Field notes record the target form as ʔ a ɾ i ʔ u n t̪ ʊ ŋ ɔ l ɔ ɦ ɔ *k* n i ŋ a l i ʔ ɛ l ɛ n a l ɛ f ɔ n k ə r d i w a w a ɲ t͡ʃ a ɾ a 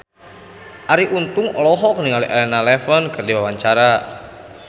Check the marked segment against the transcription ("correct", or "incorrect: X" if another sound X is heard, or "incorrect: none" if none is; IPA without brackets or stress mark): correct